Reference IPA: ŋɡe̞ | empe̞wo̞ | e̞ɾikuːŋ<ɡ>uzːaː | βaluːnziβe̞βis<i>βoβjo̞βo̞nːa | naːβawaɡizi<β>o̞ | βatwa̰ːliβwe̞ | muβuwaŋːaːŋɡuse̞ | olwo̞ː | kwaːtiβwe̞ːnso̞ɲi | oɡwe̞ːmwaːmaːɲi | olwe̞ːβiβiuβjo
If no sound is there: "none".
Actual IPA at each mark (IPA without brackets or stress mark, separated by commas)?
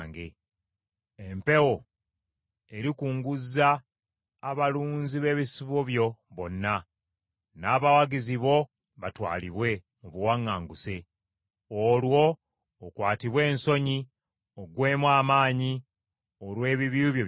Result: ɡ, i, β